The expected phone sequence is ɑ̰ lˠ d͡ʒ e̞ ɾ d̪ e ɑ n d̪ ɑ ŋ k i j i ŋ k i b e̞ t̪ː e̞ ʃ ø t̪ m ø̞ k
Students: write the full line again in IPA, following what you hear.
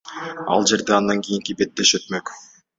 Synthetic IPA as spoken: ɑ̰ lˠ d͡ʒ e̞ ɾ d̪ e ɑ n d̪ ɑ ŋ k i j i ŋ k i b e̞ t̪ː e̞ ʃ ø t̪ m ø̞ k